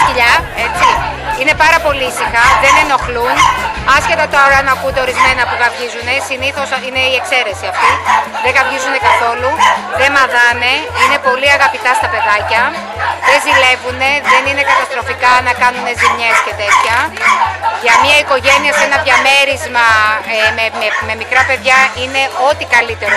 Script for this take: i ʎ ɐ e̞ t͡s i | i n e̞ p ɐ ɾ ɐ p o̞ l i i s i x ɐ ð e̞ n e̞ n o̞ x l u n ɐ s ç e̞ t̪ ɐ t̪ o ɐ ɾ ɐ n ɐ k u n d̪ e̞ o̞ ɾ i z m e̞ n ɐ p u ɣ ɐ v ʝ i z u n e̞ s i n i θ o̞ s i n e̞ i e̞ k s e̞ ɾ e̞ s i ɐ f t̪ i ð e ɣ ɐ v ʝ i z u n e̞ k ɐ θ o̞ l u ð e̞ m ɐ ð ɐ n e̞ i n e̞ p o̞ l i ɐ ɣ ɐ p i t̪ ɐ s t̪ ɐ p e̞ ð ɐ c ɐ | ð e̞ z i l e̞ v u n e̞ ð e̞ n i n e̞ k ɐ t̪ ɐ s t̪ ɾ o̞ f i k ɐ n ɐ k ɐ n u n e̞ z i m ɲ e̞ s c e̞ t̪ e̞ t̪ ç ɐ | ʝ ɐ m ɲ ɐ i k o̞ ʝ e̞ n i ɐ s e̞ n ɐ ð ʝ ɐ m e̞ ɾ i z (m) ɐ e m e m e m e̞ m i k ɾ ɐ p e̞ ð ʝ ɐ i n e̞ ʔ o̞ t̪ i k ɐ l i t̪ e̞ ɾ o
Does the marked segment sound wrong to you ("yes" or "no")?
no